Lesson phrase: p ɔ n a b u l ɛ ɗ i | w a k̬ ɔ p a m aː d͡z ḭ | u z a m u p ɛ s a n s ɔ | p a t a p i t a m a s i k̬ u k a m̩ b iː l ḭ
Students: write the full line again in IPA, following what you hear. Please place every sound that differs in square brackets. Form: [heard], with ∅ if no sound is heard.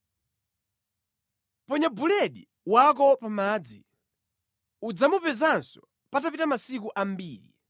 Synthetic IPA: p ɔ [ɲ] a b u l ɛ ɗ i | w a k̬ ɔ p a m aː d͡z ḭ | u [d͡z] a m u p ɛ [z] a n s ɔ | p a t a p i t a m a s i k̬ u [ʔ] a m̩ b iː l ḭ

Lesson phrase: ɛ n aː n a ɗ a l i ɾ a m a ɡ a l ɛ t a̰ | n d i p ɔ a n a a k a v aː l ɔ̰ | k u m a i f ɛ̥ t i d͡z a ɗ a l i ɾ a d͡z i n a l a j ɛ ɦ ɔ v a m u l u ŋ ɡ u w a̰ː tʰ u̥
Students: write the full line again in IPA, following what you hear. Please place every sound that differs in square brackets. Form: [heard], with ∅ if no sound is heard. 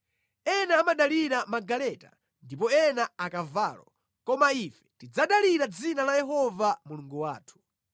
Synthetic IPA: ɛ n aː [m] a ɗ a l i ɾ a m a ɡ a l ɛ t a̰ | n d i p ɔ [ɛ] n a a k a v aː l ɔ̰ | k [ɔ] m a i f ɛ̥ t i d͡z a ɗ a l i ɾ a d͡z i n a l a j ɛ ɦ ɔ v a m u l u ŋ ɡ u w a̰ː tʰ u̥

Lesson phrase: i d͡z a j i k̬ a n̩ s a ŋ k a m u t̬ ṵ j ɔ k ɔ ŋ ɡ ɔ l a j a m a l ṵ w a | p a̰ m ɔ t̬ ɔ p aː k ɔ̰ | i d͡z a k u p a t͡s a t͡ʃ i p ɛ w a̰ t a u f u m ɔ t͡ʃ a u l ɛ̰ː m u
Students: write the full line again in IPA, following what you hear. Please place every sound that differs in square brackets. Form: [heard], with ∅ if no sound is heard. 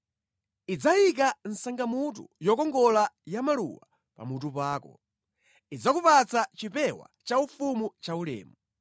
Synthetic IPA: i d͡z a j i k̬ a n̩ s a ŋ [ɡ] a m u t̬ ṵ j ɔ k ɔ ŋ ɡ ɔ l a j a m a l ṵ w a | p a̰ m [u] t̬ [u] p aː k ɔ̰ | i d͡z a k u p a t͡s a t͡ʃ i p ɛ w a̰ [t͡ʃ] a u f u m [u] t͡ʃ a u l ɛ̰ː m u

